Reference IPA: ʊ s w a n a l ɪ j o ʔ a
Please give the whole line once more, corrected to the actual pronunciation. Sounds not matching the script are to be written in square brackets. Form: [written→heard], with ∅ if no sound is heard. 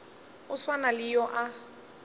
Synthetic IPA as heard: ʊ s w a n a l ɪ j [o→ɔ] ʔ a